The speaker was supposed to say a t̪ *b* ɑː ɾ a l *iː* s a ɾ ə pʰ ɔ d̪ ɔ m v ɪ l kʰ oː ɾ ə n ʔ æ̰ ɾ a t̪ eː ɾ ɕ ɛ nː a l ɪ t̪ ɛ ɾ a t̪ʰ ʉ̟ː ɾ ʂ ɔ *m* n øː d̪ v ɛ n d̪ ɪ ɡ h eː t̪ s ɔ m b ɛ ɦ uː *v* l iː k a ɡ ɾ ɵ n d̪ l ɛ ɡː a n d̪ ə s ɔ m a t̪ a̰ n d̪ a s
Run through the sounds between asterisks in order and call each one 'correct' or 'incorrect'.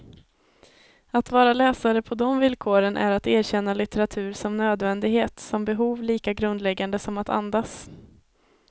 incorrect: v, incorrect: ɛː, correct, correct

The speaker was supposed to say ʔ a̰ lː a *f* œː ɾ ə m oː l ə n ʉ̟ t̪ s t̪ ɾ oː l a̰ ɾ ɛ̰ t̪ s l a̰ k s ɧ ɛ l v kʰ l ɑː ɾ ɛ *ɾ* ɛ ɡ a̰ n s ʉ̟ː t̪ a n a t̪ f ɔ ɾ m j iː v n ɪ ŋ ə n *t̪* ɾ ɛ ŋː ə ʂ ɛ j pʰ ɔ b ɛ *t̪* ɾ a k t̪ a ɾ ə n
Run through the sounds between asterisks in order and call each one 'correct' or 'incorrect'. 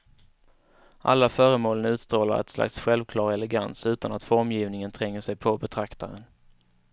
correct, incorrect: l, incorrect: t̪ʰ, incorrect: t̪ʰ

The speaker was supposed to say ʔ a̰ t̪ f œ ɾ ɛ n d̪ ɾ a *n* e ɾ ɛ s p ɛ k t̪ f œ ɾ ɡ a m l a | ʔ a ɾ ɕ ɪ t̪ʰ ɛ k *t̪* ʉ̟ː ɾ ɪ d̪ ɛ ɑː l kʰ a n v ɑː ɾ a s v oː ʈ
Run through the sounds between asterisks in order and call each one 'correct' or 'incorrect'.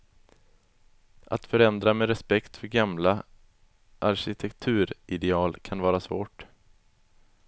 incorrect: m, incorrect: t̪ʰ

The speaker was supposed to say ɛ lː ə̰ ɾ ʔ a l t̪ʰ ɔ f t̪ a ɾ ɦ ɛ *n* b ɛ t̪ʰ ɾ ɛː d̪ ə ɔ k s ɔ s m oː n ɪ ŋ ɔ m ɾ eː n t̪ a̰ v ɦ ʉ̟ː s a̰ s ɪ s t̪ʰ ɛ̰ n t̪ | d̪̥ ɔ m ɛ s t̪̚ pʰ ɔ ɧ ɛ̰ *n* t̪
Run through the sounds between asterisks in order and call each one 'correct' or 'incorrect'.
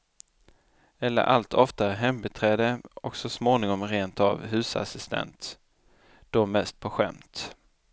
incorrect: m, incorrect: m

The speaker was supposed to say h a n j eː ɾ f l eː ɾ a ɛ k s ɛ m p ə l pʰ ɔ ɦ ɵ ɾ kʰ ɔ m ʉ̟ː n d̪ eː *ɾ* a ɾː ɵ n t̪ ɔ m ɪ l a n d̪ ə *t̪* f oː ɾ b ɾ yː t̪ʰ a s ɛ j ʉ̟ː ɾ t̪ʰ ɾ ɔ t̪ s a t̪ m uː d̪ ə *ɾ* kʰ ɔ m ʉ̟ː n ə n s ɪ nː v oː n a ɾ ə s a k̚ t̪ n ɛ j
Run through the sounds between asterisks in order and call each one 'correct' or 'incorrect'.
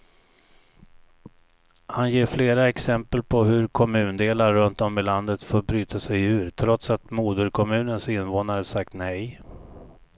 incorrect: l, correct, correct

